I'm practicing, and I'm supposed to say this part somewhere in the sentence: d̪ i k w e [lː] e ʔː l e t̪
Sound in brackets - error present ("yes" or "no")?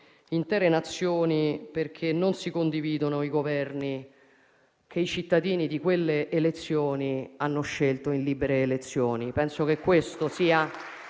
no